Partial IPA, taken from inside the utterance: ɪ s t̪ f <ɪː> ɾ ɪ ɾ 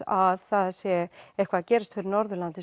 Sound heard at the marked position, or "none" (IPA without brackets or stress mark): ɪ